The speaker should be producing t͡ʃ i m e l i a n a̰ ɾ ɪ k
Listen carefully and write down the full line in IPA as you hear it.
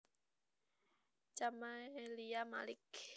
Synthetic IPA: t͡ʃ a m a l i a m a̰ l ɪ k